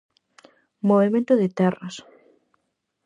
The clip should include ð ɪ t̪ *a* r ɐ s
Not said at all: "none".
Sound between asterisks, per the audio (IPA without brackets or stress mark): ɛ